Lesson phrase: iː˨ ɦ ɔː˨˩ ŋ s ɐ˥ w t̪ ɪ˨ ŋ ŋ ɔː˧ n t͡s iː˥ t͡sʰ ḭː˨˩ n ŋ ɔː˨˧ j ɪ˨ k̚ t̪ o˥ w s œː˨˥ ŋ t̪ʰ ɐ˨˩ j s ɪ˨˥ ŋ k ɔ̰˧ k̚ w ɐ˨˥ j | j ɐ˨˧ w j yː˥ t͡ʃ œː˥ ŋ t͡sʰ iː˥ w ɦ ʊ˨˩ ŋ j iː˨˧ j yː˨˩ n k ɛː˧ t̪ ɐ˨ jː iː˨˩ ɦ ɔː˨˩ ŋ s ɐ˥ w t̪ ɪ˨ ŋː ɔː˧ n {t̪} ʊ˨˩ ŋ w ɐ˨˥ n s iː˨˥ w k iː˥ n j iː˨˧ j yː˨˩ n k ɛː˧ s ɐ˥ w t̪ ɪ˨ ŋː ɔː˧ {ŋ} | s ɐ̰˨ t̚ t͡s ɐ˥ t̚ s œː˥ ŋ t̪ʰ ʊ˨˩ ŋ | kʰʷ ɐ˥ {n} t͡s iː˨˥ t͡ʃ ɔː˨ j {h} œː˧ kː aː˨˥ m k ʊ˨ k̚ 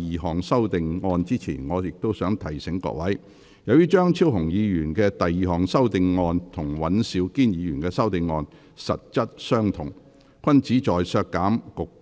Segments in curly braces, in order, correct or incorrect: incorrect: t̪ʰ, incorrect: n, correct, incorrect: s

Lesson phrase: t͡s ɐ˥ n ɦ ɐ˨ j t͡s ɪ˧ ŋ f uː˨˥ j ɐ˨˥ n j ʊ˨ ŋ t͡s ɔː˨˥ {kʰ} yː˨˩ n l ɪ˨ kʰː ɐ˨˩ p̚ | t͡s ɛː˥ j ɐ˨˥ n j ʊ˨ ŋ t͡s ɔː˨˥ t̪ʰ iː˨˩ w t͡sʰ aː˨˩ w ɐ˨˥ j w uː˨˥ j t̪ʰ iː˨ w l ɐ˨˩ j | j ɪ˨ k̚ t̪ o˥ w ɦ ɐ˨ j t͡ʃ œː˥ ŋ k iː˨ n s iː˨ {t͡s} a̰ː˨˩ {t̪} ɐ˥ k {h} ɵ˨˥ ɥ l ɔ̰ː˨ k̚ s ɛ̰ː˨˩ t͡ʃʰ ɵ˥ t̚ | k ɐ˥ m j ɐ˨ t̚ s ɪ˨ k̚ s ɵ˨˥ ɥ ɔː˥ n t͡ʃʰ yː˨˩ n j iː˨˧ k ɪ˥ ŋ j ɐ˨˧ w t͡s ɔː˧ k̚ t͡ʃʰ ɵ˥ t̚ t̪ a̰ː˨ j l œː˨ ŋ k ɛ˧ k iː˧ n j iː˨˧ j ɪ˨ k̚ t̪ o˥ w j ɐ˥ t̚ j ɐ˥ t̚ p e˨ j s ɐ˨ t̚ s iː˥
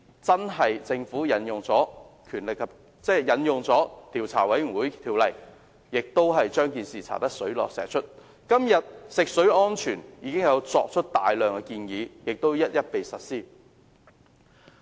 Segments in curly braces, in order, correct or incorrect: correct, incorrect: t͡sʰ, correct, incorrect: s

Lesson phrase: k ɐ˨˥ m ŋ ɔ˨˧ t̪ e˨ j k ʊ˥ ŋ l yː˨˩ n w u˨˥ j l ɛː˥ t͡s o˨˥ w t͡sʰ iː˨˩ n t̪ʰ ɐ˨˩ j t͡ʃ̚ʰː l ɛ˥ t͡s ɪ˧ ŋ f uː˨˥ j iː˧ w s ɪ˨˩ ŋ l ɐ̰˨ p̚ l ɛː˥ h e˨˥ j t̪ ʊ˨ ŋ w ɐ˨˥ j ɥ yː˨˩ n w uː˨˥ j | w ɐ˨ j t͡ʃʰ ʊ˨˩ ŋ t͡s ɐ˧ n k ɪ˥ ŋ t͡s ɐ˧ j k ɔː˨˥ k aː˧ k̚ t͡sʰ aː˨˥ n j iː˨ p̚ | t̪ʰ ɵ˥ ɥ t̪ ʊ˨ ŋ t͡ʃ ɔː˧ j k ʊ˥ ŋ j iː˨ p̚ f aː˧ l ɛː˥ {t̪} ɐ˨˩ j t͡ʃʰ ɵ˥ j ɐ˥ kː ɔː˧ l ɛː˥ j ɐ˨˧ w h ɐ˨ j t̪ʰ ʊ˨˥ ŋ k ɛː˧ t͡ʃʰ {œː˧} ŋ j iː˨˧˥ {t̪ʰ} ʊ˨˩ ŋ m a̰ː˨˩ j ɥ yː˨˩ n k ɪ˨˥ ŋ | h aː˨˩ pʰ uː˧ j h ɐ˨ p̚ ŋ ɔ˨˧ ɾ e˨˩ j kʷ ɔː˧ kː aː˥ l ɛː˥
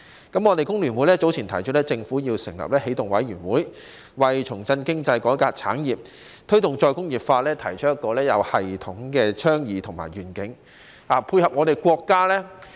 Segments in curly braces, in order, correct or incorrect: incorrect: t̪ʰ, incorrect: œː˥, correct

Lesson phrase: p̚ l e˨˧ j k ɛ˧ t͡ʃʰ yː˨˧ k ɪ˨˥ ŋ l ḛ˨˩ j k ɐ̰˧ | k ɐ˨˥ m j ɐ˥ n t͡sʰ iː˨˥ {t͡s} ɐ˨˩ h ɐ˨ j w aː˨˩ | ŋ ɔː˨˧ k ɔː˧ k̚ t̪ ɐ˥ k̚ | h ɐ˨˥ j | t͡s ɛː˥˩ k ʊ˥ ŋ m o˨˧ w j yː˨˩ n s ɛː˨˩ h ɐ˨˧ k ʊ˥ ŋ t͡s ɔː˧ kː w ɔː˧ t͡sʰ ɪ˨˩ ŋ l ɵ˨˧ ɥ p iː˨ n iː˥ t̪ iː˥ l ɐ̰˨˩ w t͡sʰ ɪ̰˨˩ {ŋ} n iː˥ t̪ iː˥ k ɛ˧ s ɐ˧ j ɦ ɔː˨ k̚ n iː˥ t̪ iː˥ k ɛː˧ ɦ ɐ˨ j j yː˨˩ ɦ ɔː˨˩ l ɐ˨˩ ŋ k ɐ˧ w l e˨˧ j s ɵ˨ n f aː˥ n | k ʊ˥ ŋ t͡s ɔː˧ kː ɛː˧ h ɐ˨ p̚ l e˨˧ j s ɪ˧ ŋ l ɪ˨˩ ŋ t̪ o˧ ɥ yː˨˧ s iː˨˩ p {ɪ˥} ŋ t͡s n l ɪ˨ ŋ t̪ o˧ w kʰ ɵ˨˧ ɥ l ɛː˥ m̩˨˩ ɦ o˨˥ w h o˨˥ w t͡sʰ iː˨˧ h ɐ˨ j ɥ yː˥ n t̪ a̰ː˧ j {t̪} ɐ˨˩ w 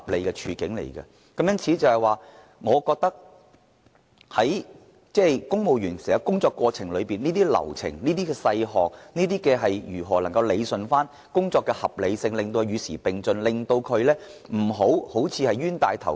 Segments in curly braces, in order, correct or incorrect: correct, correct, incorrect: ɪ˨, incorrect: t̪ʰ

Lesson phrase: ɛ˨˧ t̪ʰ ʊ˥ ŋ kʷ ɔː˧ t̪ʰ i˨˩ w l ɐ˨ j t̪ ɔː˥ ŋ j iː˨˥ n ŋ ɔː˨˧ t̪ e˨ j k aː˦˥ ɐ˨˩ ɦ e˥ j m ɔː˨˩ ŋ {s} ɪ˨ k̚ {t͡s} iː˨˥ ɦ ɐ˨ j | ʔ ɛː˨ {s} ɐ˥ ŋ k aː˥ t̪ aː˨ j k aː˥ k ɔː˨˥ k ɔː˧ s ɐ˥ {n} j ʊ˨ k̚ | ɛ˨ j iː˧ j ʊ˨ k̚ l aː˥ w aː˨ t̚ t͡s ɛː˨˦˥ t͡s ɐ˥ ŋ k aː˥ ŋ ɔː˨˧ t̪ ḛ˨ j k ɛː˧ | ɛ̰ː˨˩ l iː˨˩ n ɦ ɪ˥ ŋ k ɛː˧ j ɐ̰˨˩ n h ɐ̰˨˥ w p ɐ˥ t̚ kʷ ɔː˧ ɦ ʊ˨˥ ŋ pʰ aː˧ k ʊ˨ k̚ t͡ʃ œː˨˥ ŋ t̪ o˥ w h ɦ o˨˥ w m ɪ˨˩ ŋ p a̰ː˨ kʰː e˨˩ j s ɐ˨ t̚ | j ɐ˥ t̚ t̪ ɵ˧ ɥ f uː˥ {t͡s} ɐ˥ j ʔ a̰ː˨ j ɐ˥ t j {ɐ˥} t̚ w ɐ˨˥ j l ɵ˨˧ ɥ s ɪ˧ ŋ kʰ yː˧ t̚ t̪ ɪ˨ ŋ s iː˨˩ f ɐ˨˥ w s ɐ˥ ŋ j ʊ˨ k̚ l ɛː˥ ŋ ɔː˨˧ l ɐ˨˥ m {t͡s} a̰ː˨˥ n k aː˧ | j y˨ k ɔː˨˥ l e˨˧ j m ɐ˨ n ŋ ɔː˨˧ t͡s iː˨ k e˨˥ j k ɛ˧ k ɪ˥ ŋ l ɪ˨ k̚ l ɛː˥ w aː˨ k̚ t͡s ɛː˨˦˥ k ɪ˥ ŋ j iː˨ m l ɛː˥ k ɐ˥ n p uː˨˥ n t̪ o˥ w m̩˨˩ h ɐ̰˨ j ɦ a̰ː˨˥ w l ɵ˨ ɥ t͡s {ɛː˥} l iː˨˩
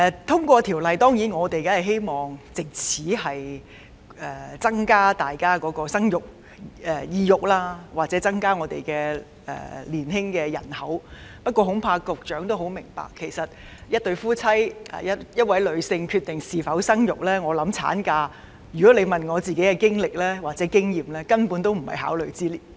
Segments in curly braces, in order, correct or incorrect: incorrect: t͡s, incorrect: t͡sʰ, incorrect: t͡s, incorrect: ŋ, incorrect: t͡sʰ, correct, incorrect: t͡sʰ, incorrect: iː˥

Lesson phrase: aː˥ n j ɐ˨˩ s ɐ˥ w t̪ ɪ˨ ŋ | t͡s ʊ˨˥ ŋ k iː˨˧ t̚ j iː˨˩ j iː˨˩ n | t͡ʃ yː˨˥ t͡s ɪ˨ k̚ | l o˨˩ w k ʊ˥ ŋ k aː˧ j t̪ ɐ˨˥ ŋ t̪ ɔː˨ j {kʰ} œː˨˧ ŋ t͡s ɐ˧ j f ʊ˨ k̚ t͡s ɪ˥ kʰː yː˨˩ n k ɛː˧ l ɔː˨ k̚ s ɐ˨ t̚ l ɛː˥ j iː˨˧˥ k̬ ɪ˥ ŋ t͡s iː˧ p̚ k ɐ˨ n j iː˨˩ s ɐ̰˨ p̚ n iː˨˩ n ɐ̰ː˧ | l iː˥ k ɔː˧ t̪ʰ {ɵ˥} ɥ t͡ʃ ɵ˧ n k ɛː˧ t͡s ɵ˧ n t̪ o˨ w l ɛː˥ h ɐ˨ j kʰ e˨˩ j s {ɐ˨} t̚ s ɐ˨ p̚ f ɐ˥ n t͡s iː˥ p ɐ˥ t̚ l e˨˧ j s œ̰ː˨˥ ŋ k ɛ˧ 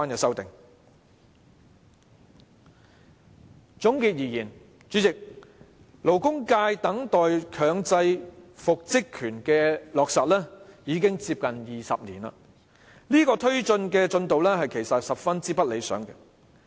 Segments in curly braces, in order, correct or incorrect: correct, correct, correct

